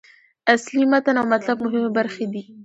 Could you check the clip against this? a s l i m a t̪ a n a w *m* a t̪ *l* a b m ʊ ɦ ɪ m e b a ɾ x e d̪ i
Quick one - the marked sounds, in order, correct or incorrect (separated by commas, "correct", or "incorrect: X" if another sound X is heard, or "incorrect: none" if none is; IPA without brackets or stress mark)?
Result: correct, correct